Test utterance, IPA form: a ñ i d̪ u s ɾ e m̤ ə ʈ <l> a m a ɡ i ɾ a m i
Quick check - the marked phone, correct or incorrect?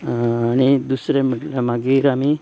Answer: correct